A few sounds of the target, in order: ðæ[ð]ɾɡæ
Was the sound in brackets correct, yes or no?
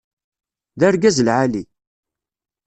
no